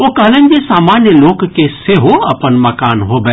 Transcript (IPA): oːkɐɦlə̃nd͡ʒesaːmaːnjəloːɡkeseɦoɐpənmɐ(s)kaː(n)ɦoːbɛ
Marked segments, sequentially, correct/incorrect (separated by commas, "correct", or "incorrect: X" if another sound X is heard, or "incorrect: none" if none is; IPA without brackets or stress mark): incorrect: none, correct